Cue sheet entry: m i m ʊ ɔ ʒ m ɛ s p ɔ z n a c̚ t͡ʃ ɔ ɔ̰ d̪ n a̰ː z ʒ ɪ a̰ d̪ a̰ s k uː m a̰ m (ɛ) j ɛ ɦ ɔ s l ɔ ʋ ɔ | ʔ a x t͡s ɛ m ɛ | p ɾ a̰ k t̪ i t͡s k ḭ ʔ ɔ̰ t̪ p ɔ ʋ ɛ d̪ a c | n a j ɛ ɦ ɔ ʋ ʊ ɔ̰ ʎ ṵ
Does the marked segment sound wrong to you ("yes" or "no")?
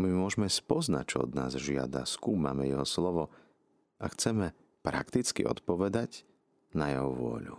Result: no